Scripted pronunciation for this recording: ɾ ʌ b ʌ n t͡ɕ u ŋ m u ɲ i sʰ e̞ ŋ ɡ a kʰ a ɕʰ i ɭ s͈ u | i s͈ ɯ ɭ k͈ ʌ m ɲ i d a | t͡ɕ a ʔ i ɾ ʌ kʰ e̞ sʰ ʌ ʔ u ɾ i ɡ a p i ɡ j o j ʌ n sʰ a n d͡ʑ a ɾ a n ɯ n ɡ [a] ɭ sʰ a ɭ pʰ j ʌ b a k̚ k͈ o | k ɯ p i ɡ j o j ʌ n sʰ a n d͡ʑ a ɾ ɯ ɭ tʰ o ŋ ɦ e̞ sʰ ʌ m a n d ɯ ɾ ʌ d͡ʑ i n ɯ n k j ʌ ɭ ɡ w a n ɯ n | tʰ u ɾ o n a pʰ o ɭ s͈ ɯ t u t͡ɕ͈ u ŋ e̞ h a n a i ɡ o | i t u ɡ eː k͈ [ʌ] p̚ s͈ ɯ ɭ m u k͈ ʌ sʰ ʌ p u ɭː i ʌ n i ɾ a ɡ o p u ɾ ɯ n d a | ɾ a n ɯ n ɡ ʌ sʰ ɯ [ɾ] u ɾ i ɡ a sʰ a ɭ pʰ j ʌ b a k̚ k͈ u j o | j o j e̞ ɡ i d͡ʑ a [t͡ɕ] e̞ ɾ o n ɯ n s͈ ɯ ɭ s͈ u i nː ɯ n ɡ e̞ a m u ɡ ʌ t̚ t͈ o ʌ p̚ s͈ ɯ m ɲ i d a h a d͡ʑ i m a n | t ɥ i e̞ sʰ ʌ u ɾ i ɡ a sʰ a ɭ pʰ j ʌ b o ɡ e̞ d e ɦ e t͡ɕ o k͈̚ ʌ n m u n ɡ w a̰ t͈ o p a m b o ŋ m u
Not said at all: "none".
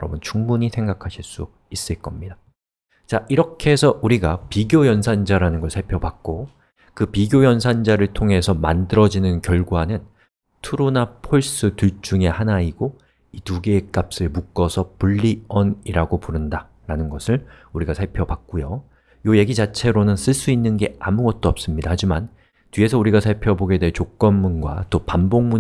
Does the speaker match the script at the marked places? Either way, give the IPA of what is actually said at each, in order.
ʌ, a, ɭ, t͡ɕʰ

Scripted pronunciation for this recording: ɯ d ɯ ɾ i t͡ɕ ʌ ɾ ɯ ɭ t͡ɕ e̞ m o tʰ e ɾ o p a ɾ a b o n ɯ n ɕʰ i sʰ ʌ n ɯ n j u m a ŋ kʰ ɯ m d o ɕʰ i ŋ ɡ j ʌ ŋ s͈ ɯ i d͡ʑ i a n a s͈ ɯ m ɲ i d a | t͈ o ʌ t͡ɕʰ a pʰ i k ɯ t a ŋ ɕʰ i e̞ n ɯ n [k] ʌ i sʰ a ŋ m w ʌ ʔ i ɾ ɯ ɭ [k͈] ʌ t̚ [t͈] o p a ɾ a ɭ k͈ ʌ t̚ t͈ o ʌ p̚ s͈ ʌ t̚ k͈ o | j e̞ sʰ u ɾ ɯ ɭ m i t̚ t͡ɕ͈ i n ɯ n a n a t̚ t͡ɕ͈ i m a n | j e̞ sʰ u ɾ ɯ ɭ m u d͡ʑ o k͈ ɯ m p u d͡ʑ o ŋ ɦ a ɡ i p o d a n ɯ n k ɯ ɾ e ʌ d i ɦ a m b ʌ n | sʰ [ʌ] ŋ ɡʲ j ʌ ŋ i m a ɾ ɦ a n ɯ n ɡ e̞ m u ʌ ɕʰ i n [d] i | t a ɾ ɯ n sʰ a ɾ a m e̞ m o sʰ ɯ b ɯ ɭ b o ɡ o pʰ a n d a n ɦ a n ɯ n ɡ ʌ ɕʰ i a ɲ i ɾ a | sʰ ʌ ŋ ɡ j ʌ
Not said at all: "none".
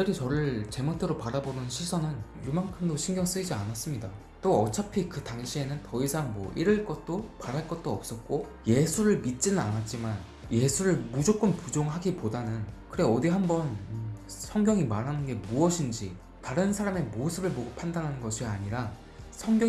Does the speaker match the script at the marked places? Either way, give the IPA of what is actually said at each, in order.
t, k͈, t͈, ʌ, d͡ʑ

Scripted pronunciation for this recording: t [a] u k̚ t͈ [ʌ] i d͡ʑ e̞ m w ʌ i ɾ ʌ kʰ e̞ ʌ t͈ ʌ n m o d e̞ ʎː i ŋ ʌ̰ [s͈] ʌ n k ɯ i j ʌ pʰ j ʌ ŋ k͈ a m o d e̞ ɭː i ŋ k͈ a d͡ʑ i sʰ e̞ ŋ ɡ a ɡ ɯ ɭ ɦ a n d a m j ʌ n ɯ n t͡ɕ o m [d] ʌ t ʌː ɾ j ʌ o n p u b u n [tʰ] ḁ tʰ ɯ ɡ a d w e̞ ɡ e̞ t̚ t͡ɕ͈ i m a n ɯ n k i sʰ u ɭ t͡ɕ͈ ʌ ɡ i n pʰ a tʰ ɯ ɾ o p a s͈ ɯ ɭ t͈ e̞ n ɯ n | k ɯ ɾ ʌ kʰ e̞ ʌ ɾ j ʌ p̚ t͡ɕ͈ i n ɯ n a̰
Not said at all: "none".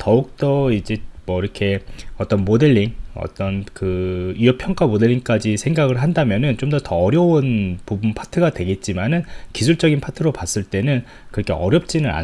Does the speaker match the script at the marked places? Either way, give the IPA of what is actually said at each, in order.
ʌ, ʌ, t͈, d, pʰ

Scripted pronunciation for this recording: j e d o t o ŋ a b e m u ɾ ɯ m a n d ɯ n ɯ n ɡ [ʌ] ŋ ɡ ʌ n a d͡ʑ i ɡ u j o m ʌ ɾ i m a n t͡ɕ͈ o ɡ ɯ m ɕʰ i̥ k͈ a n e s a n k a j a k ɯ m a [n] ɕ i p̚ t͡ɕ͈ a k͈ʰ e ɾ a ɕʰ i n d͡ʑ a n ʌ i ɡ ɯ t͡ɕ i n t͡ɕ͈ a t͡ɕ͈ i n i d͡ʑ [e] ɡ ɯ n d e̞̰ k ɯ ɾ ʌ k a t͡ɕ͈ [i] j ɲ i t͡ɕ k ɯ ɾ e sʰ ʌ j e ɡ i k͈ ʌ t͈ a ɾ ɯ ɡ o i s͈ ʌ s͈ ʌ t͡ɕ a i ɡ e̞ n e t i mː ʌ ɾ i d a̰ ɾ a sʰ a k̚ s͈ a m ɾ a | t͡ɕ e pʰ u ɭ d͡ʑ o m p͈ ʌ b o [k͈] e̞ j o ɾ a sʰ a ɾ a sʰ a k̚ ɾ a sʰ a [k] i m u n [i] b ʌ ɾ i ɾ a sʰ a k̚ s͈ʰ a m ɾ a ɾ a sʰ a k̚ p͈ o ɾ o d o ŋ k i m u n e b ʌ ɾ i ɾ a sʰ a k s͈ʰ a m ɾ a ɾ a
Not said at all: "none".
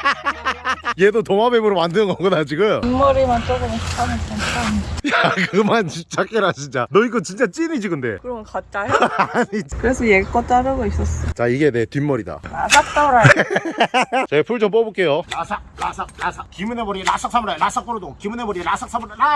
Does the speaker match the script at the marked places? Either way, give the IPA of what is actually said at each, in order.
ʌ, n, i, a, k͈, k, e

